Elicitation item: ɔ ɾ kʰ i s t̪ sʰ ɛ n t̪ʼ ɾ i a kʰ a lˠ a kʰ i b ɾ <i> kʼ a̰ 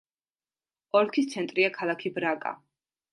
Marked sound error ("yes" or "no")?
yes